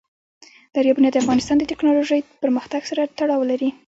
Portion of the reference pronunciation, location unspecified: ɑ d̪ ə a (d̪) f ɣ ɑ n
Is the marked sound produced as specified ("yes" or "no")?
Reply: no